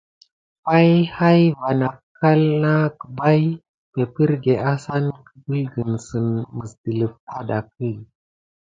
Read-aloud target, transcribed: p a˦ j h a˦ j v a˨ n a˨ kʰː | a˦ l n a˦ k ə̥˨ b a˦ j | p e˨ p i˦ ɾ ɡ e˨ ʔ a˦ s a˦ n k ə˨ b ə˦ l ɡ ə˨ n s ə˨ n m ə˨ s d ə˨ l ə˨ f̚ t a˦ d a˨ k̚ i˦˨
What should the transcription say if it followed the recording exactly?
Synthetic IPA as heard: p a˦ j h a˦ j v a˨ n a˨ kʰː | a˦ l n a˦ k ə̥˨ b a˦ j | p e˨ p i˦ ɾ ɡ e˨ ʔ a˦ s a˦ n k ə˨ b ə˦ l ɡ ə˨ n s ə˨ n m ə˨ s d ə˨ l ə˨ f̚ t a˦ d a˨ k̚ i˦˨